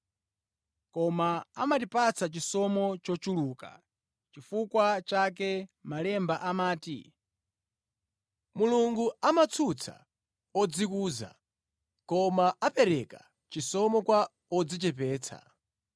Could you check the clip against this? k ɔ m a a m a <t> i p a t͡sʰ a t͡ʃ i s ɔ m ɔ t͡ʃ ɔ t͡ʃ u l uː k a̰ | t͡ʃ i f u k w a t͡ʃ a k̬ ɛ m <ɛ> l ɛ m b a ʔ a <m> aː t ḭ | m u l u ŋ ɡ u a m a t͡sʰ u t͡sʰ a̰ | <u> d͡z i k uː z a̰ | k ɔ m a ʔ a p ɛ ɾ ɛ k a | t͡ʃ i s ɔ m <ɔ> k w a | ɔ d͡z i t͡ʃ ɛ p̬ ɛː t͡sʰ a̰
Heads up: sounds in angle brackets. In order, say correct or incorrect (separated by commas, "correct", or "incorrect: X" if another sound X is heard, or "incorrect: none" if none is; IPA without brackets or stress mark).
correct, incorrect: a, correct, incorrect: ɔ, correct